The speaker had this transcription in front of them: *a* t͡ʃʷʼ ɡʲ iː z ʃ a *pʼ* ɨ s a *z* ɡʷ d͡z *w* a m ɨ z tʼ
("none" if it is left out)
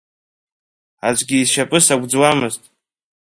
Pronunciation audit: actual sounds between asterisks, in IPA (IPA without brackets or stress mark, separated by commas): a, pʼ, none, w